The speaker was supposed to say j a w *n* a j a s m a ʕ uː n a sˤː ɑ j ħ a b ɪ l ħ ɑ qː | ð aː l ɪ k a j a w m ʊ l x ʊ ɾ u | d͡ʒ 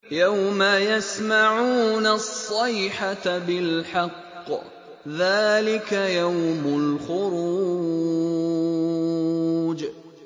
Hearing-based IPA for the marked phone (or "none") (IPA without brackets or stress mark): m